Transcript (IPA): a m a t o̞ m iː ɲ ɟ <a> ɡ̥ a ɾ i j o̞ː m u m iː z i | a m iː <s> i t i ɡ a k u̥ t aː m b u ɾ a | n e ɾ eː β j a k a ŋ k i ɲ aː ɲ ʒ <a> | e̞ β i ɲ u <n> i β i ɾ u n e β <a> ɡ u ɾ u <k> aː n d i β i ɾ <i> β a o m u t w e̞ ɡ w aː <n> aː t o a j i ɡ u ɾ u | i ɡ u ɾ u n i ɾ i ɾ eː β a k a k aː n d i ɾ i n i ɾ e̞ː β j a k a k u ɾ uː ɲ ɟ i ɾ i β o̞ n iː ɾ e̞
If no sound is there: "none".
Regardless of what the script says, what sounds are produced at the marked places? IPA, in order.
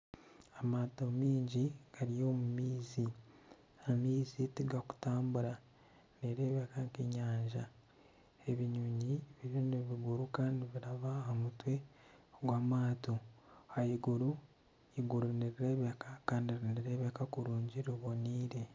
i, z, a, ɲ, i, k, a, m

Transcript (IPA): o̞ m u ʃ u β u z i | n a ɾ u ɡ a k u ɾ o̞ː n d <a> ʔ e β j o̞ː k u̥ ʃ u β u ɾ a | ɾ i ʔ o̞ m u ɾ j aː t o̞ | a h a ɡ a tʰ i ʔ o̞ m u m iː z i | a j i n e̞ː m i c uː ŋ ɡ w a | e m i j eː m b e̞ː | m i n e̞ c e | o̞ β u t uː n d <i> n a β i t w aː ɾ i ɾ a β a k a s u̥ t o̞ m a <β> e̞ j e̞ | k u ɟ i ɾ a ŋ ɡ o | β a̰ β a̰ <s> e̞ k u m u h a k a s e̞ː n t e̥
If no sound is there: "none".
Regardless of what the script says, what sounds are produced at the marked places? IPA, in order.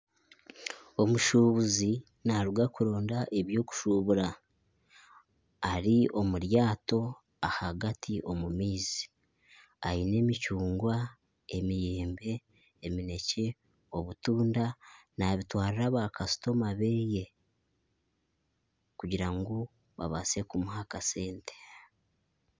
a, a, β, s

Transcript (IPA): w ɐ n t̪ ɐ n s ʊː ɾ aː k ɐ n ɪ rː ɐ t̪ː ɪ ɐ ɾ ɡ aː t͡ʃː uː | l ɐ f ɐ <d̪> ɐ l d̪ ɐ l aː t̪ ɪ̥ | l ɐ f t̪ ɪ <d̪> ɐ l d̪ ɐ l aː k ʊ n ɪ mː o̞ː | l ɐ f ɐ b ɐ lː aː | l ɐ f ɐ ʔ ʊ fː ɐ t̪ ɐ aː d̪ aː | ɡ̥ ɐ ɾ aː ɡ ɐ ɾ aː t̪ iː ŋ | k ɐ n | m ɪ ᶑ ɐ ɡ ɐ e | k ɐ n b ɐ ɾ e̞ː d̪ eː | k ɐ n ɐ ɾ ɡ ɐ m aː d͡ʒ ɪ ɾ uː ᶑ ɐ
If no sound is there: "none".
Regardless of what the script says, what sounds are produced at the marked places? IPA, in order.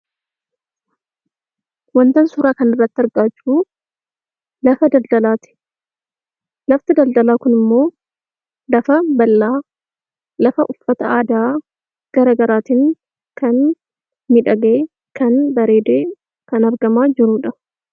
d̪, d̪

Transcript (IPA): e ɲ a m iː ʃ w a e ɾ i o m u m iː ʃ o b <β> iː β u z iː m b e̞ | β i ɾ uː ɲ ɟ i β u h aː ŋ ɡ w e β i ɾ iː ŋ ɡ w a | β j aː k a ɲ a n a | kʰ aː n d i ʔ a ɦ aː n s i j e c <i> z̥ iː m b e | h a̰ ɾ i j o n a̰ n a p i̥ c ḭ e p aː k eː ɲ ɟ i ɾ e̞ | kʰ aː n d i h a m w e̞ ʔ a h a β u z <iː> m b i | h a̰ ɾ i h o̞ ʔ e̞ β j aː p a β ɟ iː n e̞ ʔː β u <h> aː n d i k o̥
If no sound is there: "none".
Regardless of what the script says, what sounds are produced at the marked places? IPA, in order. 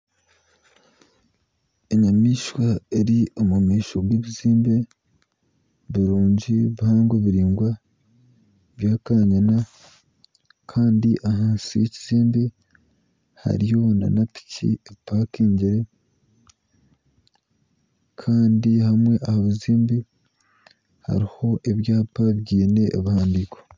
w, i, iː, h

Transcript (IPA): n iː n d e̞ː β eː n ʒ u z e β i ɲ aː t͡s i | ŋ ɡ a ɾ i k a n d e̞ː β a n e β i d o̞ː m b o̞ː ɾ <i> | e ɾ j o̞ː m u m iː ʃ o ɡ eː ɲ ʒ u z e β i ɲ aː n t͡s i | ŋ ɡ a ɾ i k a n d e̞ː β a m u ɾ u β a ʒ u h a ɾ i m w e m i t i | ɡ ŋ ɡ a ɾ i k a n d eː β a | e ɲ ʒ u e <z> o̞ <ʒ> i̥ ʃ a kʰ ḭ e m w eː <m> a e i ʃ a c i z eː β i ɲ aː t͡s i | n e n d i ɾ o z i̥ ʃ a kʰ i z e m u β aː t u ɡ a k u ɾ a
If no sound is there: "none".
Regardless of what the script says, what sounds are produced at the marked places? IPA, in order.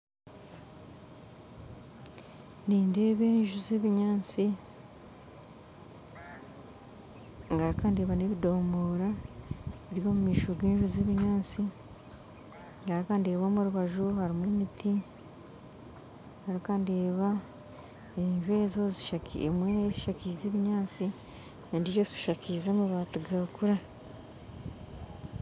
a, z, z, n

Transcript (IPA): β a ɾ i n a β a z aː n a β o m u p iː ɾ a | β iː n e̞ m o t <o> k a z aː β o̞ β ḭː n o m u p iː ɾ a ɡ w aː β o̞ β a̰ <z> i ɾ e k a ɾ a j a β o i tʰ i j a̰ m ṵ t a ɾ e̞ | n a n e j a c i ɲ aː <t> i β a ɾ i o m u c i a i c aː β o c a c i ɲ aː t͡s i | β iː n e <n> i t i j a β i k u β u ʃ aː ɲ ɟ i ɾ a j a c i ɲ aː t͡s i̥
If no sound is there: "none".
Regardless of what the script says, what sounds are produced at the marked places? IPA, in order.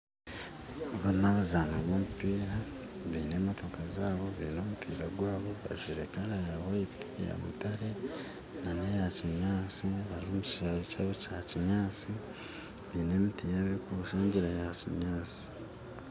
o, ʒ, t͡s, m

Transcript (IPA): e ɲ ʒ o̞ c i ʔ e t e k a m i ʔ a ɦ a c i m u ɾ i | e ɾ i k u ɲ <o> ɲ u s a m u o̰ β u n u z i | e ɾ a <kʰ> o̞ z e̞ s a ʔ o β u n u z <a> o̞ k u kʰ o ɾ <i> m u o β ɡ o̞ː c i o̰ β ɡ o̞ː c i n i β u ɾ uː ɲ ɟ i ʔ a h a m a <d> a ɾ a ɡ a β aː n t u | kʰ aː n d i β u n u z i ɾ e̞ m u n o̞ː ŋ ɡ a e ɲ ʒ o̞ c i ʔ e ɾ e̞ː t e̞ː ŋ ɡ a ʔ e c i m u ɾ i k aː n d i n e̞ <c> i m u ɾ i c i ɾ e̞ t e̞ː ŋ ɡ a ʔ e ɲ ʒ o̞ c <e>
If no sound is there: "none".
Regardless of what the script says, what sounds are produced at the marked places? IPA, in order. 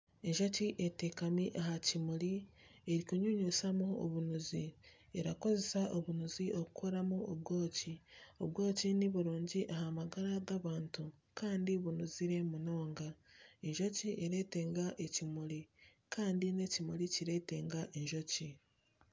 u, k, i, a, ɡ, c, i

